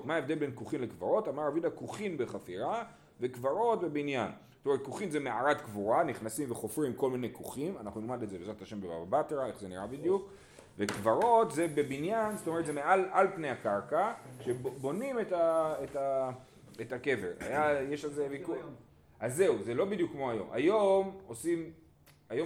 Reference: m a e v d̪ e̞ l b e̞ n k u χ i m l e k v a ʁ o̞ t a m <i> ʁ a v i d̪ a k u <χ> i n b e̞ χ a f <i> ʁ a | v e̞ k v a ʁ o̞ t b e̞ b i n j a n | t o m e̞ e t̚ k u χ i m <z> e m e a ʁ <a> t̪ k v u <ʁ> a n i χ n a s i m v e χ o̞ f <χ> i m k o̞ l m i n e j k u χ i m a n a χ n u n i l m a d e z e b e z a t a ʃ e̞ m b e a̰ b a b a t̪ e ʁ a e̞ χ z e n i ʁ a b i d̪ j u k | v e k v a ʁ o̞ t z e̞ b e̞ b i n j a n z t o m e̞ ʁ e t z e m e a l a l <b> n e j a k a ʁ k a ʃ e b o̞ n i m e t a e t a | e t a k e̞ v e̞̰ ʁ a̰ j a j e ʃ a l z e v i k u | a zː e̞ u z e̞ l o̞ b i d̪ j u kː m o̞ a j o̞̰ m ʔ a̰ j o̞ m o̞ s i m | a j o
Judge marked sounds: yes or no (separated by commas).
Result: no, yes, yes, yes, yes, yes, no, no